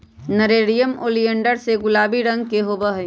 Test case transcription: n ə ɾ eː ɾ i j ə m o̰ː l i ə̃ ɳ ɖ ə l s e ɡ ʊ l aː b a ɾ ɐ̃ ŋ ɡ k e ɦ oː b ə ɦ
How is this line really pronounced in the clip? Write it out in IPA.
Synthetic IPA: n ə ɾ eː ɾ i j ə m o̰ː l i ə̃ ɳ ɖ ə ɾ s e ɡ ʊ l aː b i ɾ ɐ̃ ŋ ɡ k e ɦ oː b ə ɦ